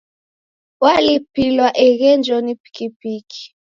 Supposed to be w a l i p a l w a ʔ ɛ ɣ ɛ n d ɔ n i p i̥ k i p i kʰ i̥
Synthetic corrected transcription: w a l i p i l w a ʔ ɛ ɣ ɛ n d͡ʒ ɔ n i p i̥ k i p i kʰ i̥